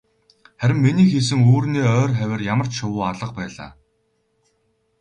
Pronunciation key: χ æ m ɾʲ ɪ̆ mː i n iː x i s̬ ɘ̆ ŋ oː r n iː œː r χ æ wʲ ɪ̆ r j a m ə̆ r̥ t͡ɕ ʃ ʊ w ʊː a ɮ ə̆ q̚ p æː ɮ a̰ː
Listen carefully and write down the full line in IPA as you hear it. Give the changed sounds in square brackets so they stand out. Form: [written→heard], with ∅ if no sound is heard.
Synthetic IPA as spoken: χ æ [m→∅] ɾʲ ɪ̆ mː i n iː x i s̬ ɘ̆ ŋ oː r n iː œː r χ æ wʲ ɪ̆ r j a m ə̆ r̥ t͡ɕ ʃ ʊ w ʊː a ɮ ə̆ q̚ p æː ɮ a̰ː